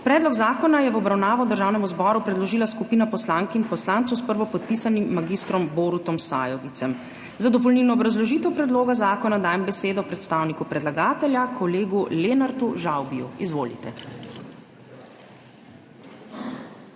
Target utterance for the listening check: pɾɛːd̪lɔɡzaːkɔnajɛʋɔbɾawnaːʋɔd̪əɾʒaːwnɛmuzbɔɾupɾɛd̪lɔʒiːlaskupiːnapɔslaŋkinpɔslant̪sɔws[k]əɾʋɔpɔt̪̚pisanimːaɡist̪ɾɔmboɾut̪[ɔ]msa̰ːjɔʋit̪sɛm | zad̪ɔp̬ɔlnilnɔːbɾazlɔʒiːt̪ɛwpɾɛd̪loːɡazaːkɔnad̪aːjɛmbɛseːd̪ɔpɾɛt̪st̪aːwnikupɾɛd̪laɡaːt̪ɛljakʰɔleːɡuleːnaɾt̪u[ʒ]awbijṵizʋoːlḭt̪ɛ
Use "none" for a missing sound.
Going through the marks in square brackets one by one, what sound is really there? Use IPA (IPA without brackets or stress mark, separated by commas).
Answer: p, ɔ, ʒ